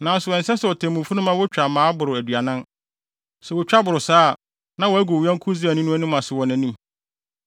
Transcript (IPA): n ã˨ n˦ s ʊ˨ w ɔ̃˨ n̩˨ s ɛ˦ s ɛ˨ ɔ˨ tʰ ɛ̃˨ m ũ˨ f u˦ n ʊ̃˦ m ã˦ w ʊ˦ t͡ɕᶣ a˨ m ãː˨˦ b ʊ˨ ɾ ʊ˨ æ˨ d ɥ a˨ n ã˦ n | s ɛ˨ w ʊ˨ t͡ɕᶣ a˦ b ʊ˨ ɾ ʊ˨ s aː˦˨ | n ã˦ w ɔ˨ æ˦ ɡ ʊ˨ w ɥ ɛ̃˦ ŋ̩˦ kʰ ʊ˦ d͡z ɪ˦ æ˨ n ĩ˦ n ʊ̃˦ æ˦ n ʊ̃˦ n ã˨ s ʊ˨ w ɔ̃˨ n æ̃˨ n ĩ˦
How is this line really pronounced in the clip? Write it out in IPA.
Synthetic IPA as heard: n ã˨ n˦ s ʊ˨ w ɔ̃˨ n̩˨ s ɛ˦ s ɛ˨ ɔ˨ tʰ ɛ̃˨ m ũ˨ f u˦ n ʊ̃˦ m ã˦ w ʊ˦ t͡ɕᶣ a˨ m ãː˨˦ b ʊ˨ ɾ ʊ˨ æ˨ d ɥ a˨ n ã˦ n | s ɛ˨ w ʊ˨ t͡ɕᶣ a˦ b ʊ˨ ɾ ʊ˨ s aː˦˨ | n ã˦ w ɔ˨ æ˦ ɡ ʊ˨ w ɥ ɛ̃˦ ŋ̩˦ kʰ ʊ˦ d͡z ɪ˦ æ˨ n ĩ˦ n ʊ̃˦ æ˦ n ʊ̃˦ m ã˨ s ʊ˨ w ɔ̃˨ n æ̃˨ n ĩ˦